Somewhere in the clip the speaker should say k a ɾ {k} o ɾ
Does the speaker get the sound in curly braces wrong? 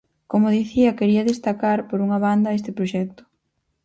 yes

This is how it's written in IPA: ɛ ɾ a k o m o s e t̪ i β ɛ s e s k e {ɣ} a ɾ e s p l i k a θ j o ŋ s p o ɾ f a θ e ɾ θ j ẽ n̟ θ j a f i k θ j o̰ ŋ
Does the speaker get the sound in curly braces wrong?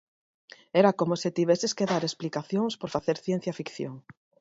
yes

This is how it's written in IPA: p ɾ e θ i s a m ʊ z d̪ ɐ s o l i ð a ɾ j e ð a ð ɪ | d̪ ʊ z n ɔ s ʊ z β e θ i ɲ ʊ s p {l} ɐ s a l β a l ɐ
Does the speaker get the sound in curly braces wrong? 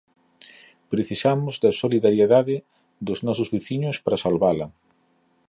yes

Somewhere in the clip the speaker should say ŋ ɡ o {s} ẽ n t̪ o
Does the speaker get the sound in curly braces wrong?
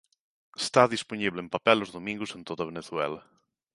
no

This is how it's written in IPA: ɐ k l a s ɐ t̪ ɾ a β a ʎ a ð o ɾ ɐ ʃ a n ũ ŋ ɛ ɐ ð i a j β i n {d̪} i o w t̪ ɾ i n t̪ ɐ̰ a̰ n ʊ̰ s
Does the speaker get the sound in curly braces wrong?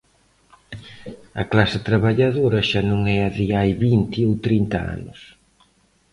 yes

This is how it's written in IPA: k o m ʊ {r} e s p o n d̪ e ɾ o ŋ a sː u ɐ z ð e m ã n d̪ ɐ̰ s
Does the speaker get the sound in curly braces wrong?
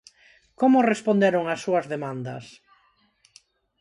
no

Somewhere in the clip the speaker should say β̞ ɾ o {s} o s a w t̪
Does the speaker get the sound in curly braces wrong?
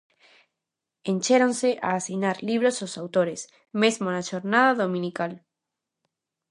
no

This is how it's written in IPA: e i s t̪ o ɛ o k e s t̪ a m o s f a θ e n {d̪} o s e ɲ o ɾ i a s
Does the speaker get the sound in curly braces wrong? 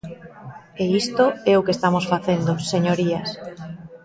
no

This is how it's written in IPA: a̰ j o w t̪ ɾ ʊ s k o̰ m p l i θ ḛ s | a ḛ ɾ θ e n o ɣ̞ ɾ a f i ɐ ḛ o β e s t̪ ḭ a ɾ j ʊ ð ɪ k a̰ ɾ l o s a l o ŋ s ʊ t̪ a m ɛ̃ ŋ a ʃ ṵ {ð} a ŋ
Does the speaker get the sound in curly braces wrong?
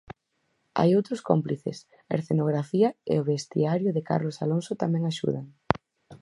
no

